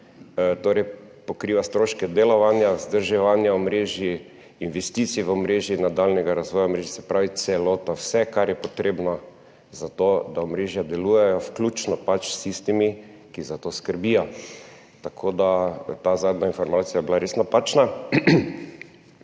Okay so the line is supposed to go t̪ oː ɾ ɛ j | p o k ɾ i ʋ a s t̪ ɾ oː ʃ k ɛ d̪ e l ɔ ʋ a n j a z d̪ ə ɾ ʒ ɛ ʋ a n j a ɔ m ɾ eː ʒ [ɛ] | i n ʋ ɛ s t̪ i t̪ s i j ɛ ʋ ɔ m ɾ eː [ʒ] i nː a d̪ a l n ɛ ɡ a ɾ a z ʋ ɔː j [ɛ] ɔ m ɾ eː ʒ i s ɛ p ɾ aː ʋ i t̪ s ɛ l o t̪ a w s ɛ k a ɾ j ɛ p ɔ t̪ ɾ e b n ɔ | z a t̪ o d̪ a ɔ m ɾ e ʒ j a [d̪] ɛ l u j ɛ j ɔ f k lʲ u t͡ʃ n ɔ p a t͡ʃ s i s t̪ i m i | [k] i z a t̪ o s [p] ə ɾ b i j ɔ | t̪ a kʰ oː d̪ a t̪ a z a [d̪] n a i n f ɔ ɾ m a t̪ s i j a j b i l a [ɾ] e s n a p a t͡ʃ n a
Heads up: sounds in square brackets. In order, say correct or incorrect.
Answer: incorrect: i, correct, incorrect: a, correct, correct, incorrect: k, correct, correct

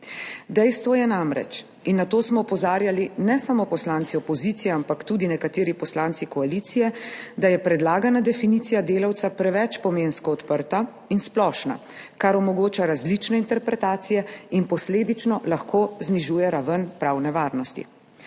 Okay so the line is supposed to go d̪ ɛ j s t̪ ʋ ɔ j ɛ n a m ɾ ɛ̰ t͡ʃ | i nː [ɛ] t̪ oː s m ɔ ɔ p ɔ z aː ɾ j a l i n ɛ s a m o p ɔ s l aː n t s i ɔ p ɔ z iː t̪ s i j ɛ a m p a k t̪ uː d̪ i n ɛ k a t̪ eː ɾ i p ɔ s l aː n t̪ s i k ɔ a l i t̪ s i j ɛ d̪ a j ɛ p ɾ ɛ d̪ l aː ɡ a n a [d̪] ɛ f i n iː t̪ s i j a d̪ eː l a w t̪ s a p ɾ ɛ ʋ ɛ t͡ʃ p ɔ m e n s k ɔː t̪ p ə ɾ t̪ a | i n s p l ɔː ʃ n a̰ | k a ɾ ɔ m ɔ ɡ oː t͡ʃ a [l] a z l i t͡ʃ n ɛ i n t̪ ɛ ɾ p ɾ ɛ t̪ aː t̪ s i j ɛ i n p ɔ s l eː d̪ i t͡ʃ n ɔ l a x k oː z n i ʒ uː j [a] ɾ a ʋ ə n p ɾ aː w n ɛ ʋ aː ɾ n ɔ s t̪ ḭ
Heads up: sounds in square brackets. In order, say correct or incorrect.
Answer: incorrect: a, correct, incorrect: ɾ, incorrect: ɛ

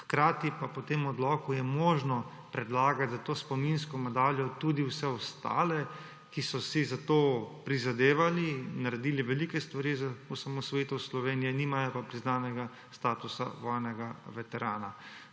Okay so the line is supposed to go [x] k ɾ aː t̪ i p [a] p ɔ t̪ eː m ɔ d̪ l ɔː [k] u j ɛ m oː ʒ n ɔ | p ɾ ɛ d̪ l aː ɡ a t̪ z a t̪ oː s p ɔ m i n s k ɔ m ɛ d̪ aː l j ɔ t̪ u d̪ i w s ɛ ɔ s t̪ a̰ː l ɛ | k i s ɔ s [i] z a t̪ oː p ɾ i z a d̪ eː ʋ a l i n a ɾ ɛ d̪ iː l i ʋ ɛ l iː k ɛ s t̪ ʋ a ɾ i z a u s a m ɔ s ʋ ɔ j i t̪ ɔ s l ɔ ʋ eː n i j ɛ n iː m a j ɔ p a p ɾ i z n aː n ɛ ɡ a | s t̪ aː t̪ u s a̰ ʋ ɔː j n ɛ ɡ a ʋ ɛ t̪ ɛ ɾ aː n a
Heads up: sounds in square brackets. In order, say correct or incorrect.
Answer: correct, correct, correct, correct

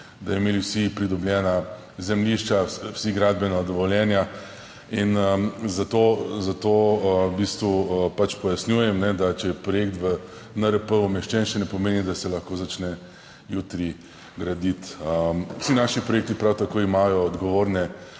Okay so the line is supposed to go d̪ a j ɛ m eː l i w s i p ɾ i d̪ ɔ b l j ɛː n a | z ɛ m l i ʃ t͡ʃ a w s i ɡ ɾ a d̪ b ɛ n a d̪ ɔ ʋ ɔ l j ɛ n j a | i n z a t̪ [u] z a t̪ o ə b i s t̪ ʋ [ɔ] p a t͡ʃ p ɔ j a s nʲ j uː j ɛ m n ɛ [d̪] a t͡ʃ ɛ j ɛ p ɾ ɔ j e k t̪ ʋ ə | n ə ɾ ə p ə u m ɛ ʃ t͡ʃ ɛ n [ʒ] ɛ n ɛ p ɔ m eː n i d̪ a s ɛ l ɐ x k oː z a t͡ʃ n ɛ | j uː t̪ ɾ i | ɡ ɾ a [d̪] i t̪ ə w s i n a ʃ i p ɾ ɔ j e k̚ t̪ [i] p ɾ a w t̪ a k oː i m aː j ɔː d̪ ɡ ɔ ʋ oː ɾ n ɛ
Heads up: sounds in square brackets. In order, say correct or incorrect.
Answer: incorrect: o, incorrect: u, correct, incorrect: ʃ, correct, correct

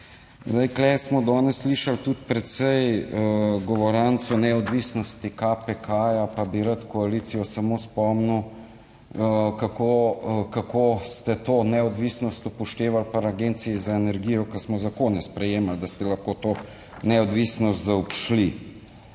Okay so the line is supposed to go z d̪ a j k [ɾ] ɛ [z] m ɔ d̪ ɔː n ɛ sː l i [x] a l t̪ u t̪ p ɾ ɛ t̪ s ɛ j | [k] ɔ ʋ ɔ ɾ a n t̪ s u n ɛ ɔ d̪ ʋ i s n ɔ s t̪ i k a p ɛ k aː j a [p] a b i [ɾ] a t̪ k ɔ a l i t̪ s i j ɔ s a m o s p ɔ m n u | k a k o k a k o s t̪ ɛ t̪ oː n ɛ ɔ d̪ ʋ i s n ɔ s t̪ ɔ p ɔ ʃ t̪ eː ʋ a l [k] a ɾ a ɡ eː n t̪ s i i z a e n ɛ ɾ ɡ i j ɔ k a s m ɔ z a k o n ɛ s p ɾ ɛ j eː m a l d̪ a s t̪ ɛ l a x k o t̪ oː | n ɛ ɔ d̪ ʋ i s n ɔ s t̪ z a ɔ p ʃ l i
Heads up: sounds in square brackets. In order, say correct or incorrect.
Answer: incorrect: l, incorrect: s, incorrect: ʃ, incorrect: ɡ, correct, correct, incorrect: p

